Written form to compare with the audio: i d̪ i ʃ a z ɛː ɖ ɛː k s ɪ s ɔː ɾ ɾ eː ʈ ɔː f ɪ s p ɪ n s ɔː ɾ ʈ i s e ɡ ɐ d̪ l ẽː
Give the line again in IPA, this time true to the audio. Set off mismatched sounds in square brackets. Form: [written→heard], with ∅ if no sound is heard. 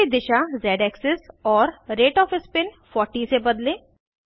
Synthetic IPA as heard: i d̪ [i→ɪ] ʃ a z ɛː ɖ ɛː k s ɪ s ɔː ɾ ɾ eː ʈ ɔː f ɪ s p ɪ n [s→f] ɔː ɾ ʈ i s e [ɡ→b] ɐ d̪ l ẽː